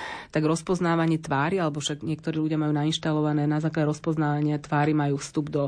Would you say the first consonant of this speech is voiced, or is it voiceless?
voiceless